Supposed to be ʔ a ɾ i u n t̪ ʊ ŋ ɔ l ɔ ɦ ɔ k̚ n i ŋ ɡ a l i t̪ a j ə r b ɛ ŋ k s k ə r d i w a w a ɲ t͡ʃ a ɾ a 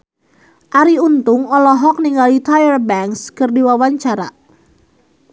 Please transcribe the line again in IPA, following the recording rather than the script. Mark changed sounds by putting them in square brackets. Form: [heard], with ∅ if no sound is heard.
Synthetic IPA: ʔ a ɾ i u n t̪ ʊ ŋ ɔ l ɔ ɦ ɔ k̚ n i ŋ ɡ a l i t̪ a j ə r b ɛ ŋ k s k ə r d i w a w a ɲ t͡ʃ a ɾ a